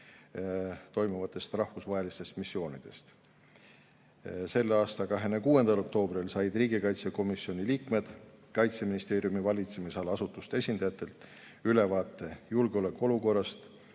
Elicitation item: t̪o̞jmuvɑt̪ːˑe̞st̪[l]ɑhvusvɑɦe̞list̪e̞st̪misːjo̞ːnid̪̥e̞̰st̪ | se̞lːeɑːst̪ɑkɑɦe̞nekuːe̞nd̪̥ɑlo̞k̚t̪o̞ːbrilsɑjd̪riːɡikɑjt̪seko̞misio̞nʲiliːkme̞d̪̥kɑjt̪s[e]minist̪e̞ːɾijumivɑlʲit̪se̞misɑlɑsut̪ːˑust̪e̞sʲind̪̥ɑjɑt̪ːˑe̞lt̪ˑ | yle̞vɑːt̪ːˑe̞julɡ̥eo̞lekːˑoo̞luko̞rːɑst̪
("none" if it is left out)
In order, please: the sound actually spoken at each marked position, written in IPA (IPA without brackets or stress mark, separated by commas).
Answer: r, e